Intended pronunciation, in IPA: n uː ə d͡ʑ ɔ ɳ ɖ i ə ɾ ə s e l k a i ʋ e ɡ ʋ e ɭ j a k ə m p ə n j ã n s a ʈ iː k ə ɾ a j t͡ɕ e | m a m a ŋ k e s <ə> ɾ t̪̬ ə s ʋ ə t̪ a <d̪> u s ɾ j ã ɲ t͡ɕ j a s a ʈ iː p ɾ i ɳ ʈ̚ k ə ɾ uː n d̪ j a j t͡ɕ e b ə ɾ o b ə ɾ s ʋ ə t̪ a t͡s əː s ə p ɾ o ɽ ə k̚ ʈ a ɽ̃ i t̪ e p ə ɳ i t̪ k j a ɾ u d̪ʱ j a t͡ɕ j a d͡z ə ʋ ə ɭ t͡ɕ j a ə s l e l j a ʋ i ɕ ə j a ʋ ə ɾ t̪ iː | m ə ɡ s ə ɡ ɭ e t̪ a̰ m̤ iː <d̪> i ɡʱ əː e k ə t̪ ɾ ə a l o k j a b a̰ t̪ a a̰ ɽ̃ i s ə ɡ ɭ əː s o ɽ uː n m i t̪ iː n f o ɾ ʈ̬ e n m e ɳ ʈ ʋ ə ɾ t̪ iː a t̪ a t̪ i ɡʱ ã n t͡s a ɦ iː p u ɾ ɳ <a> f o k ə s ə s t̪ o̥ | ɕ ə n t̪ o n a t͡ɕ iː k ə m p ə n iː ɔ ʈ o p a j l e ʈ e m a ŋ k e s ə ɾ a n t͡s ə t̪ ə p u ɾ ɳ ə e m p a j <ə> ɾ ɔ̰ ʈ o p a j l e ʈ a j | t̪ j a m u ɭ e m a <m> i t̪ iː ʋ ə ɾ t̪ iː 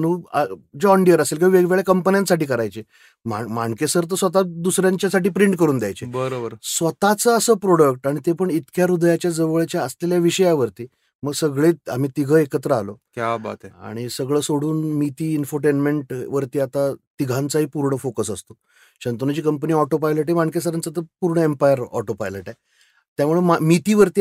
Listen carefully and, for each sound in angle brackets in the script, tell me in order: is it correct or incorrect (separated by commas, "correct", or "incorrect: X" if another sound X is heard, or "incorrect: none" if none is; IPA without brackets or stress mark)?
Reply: correct, correct, incorrect: t̪, incorrect: ə, correct, correct